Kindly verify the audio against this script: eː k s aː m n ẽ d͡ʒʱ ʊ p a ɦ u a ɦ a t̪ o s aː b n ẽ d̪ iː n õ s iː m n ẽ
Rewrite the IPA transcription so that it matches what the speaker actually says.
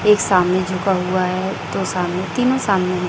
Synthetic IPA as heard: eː k s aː m n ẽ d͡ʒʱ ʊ k a ɦ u a ɦ ɛ t̪ o s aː m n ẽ t̪ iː n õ s aː m n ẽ